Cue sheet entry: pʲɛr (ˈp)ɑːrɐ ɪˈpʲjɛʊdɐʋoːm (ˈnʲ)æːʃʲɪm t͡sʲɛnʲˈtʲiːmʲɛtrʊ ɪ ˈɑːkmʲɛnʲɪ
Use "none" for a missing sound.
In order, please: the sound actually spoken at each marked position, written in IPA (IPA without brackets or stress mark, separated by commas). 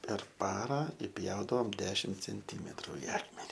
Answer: p, dʲ